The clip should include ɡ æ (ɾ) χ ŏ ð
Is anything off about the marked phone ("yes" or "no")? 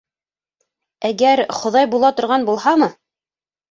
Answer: no